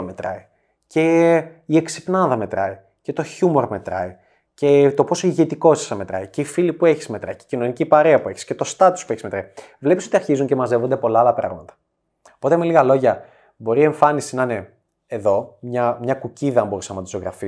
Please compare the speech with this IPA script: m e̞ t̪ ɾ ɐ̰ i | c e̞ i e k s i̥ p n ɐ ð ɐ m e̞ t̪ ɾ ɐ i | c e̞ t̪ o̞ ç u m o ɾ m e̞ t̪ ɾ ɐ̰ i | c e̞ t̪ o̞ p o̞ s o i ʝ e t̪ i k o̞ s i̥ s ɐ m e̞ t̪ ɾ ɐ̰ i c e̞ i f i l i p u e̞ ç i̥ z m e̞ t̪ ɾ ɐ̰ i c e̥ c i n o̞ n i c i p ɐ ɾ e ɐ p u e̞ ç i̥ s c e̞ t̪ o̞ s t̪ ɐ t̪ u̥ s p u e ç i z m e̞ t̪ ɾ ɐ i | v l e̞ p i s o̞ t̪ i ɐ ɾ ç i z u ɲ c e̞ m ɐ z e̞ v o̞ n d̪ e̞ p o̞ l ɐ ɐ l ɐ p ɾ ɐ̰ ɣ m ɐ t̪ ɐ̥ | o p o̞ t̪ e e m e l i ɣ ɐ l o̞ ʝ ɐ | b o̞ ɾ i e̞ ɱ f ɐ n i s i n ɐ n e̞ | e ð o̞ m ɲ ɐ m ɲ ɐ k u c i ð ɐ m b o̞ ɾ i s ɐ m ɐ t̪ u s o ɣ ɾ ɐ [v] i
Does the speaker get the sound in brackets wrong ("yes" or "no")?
yes